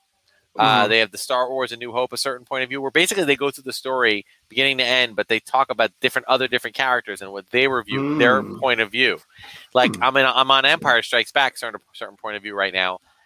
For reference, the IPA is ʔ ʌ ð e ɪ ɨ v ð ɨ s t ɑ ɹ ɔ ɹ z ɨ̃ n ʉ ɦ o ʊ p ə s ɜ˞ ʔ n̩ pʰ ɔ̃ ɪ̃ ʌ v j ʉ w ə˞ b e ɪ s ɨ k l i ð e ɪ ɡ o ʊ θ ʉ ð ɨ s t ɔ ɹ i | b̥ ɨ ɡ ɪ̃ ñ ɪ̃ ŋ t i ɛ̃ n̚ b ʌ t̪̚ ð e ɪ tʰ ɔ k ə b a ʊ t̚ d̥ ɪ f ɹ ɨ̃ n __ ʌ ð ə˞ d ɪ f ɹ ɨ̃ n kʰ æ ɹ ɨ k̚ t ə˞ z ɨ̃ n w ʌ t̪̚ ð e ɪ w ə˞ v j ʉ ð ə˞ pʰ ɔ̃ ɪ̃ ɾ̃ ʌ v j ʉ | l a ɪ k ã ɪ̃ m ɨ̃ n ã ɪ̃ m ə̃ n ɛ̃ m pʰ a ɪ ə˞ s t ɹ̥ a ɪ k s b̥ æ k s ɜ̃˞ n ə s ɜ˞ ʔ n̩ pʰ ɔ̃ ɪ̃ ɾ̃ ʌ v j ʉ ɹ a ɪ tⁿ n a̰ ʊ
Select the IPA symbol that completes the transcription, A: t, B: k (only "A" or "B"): A